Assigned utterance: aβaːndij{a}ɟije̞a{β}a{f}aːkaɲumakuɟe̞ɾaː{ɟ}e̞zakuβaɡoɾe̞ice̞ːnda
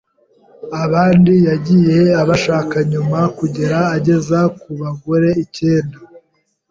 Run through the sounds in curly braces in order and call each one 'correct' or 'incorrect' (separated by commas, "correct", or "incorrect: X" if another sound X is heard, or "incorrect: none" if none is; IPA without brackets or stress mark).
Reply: correct, correct, incorrect: ʃ, correct